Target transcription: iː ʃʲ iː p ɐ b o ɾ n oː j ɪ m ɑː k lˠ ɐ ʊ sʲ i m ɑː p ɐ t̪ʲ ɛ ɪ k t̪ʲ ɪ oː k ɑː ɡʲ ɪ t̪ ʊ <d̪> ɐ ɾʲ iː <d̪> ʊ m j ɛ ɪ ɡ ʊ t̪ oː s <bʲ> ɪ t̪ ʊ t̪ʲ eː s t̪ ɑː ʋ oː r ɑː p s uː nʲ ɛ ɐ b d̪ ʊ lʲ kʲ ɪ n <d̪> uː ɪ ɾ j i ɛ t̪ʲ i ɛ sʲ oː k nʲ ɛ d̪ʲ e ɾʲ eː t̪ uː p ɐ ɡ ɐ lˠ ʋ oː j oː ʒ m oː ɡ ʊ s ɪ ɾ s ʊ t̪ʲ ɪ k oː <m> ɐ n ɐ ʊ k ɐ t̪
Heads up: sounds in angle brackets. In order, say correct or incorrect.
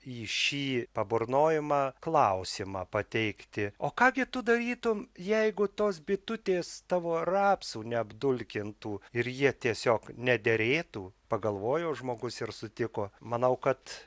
correct, incorrect: t̪, correct, incorrect: t̪, correct

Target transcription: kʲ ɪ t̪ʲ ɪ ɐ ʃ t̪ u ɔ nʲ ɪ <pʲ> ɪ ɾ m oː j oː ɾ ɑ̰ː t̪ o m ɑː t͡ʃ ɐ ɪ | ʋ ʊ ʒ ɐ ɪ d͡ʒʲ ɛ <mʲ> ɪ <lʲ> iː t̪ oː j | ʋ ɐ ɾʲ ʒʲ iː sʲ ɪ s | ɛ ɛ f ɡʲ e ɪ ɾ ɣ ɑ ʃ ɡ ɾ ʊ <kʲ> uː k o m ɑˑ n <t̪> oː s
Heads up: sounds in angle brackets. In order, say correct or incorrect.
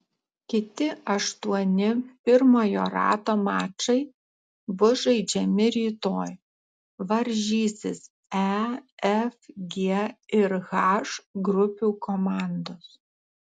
correct, correct, incorrect: ɾʲ, incorrect: pʲ, incorrect: d̪

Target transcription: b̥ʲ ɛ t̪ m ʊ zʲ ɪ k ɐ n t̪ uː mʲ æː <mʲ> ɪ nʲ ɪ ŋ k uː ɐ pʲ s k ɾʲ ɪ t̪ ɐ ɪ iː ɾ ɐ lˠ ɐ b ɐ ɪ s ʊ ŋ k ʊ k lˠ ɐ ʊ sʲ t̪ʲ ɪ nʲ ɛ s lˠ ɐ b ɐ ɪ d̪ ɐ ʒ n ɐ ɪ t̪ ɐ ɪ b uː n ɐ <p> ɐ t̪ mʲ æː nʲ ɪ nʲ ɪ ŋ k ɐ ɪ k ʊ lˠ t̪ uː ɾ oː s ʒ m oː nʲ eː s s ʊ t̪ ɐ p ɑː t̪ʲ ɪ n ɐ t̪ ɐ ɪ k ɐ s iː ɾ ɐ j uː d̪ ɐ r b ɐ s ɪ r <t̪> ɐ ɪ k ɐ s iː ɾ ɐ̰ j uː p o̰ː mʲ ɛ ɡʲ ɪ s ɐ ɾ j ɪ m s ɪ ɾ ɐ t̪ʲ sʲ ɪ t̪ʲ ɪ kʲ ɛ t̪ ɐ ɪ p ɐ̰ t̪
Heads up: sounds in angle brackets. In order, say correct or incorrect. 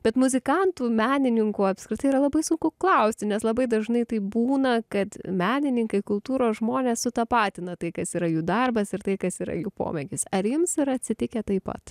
incorrect: nʲ, incorrect: k, correct

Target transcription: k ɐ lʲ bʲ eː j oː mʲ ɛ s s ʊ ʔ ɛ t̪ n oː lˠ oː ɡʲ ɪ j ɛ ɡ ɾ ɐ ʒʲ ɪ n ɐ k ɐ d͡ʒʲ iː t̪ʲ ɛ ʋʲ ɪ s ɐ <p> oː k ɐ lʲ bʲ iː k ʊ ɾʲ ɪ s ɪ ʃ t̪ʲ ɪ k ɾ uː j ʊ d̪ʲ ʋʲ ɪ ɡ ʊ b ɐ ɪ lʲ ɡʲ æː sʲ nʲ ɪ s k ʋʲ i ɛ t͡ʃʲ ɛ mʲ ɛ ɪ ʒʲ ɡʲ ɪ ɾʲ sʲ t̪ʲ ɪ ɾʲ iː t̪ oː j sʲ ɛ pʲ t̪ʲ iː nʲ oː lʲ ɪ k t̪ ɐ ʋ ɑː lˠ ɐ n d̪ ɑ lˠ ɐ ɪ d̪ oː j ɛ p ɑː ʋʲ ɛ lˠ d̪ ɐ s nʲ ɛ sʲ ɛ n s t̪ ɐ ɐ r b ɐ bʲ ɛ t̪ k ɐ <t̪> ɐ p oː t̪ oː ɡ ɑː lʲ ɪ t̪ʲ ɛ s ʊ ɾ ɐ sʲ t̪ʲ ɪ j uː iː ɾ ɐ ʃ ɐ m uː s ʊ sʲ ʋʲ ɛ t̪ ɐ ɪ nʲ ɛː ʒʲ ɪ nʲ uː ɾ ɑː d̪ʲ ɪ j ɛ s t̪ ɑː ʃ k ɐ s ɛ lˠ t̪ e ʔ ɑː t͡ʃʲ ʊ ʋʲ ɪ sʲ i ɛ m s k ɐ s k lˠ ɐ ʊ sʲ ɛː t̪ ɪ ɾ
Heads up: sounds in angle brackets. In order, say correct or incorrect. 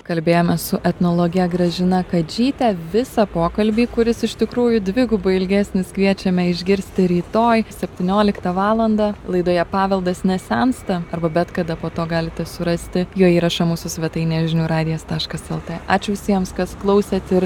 correct, incorrect: d̪

